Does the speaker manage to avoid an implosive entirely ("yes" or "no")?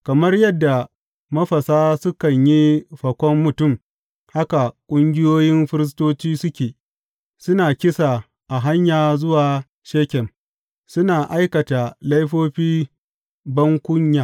yes